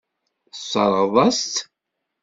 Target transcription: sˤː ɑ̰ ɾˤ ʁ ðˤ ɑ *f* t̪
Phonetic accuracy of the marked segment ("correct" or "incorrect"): incorrect